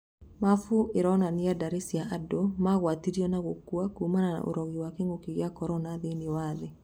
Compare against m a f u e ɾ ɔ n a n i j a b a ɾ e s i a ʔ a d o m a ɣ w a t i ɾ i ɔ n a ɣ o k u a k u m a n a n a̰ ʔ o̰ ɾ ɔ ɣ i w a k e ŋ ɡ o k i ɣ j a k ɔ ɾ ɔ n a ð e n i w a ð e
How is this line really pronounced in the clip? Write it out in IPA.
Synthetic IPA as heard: m a f u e ɾ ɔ n a n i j a d a ɾ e s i a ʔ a d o m a ɣ w a t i ɾ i ɔ n a ɣ o k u a k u m a n a n a̰ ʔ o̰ ɾ ɔ ɣ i w a k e ŋ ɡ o k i ɣ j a k ɔ ɾ ɔ n a ð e n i w a ð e